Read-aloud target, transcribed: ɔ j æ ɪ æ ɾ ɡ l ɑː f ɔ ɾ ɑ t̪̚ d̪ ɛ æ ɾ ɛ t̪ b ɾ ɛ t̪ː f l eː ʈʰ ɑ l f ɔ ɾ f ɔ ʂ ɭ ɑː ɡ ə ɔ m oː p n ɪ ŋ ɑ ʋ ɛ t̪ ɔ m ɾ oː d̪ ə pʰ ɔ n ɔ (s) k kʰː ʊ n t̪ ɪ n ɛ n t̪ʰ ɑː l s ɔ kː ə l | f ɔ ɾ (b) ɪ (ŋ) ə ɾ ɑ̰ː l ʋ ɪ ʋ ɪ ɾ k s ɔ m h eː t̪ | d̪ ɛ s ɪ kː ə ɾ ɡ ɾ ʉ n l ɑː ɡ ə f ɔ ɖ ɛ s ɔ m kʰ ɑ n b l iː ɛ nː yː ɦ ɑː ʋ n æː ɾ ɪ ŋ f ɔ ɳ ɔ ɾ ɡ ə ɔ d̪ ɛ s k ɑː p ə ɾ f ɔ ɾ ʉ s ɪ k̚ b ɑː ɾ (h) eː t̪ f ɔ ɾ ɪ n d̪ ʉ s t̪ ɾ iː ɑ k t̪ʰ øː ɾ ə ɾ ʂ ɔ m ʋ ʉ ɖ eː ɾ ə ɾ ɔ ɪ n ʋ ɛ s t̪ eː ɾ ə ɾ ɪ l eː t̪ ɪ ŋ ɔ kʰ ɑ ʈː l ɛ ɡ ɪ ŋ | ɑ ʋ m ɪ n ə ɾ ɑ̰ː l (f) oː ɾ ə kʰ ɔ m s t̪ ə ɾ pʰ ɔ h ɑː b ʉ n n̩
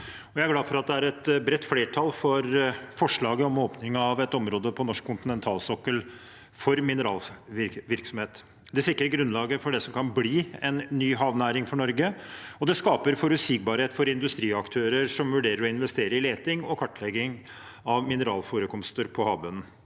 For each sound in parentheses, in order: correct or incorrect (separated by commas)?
incorrect, incorrect, incorrect, correct, correct